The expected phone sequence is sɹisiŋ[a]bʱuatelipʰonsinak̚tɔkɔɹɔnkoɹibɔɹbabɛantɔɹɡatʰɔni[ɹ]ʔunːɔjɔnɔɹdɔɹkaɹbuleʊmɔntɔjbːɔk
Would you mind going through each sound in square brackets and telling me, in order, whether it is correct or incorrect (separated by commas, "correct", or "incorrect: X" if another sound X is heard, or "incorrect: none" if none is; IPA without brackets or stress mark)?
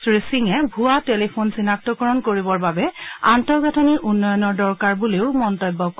incorrect: ɛ, correct